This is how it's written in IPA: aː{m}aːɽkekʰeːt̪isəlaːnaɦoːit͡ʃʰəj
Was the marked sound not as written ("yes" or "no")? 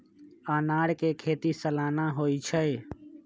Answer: yes